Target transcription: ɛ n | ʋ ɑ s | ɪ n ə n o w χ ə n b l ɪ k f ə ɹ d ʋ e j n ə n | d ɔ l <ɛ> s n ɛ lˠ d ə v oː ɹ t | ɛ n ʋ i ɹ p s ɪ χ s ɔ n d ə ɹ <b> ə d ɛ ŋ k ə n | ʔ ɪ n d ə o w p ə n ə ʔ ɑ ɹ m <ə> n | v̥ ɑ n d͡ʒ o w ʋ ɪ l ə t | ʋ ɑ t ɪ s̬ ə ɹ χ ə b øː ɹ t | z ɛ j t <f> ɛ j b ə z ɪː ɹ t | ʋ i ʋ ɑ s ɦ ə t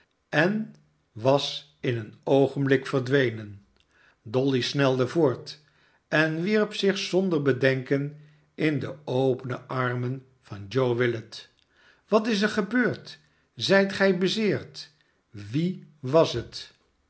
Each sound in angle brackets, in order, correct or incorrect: incorrect: i, correct, correct, incorrect: χ

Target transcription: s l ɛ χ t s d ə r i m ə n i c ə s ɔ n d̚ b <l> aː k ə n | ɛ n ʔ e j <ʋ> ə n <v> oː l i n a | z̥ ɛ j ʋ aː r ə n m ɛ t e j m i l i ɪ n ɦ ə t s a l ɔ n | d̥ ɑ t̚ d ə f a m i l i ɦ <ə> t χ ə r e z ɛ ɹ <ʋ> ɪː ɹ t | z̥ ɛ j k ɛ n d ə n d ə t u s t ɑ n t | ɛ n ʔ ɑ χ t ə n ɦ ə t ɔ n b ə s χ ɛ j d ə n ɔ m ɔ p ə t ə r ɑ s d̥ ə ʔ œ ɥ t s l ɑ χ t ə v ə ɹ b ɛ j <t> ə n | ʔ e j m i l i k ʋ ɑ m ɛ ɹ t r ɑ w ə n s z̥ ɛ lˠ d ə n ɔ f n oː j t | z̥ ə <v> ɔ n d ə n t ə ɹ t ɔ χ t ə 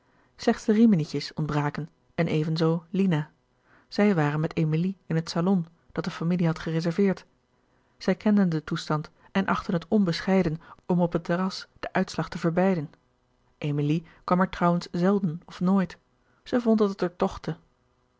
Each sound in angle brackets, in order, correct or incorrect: incorrect: r, incorrect: v, incorrect: z, incorrect: ɑ, incorrect: v, incorrect: d, correct

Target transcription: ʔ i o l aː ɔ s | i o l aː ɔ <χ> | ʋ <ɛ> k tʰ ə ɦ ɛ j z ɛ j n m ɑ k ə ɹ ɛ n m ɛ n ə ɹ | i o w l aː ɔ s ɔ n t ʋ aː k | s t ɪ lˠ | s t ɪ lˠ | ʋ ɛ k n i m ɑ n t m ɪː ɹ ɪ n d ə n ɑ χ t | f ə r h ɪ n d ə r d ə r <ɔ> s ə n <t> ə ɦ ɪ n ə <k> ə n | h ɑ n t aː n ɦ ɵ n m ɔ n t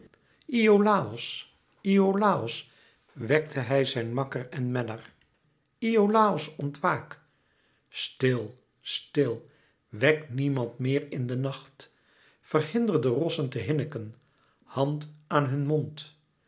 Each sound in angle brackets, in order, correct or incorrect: incorrect: s, correct, correct, correct, correct

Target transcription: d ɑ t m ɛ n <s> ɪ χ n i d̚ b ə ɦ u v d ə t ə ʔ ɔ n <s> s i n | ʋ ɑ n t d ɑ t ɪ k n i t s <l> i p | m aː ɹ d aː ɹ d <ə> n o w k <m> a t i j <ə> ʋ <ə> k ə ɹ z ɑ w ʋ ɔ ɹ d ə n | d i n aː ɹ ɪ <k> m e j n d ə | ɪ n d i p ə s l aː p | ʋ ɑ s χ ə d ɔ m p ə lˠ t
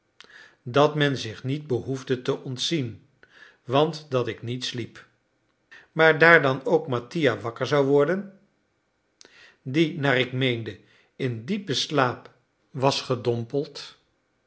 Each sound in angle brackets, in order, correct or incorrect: incorrect: z, incorrect: t, correct, incorrect: ɑ, correct, incorrect: a, incorrect: ɑ, correct

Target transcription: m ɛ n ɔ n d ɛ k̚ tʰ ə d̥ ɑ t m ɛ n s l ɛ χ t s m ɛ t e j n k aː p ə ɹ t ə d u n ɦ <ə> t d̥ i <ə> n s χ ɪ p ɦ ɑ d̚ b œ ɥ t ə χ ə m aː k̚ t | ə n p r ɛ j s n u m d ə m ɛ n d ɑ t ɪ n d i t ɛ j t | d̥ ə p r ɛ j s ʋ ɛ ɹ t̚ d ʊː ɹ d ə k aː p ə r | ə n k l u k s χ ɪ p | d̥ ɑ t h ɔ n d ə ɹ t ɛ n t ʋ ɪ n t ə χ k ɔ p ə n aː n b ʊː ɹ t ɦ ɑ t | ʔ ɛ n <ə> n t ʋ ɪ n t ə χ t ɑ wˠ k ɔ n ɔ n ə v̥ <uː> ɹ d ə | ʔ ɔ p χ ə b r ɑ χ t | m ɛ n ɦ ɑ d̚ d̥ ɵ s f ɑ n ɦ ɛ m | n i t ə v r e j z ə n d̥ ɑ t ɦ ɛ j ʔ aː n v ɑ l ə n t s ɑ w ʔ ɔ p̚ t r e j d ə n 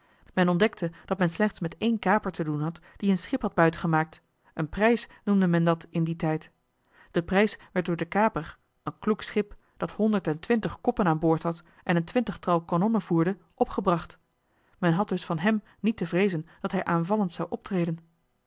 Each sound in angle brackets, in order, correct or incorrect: incorrect: ɑ, correct, correct, correct

